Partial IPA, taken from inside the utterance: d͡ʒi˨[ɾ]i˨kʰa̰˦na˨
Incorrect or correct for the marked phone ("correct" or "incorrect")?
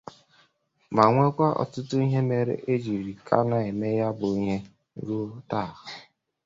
correct